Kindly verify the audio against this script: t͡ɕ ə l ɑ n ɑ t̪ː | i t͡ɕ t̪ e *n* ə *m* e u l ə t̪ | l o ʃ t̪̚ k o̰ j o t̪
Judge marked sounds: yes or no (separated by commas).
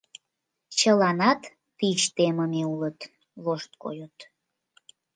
no, yes